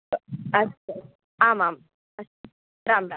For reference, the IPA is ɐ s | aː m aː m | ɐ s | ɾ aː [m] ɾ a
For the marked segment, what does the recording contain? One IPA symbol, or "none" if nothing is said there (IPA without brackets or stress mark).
m